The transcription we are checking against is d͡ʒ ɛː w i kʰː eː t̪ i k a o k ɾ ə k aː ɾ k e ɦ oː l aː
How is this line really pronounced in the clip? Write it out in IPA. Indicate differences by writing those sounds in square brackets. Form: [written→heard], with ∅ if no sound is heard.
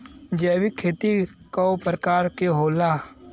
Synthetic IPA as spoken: d͡ʒ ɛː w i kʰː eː t̪ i k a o [k→p] ɾ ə k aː ɾ k e ɦ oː l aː